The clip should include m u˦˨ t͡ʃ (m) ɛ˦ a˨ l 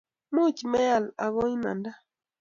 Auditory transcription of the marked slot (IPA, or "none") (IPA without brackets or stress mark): m